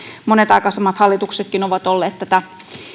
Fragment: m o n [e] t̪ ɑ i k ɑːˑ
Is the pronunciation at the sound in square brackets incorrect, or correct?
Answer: correct